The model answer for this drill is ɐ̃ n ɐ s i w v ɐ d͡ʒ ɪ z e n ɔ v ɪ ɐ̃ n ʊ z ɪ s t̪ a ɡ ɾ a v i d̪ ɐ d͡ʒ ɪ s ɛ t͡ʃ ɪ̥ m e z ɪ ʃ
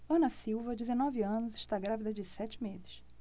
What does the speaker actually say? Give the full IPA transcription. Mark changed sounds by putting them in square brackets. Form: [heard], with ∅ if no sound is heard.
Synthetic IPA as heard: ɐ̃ n ɐ s i w v ɐ d͡ʒ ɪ z e n ɔ v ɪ ɐ̃ n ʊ z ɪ [ʃ] t̪ a ɡ ɾ a v i d̪ ɐ d͡ʒ ɪ s ɛ t͡ʃ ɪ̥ m e z ɪ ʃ